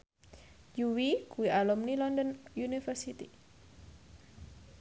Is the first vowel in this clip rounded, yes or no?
yes